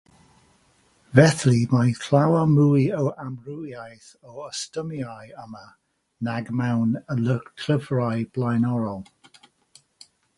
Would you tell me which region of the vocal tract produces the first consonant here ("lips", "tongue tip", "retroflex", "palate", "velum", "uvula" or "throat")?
lips